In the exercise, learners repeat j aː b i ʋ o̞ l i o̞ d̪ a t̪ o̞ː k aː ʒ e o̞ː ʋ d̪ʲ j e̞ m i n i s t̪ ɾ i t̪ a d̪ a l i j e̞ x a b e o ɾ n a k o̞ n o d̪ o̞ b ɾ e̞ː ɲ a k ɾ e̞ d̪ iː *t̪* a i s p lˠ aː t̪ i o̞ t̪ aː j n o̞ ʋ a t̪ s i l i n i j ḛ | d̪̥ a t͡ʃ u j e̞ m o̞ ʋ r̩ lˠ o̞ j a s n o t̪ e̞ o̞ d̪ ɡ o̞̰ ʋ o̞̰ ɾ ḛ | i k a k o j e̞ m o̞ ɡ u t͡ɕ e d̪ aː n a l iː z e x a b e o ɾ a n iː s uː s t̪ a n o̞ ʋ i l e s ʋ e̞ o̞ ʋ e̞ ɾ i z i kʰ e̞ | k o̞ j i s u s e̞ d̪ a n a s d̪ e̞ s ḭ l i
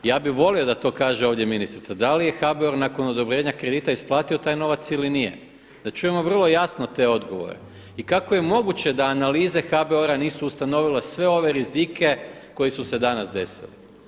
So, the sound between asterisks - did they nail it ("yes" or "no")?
yes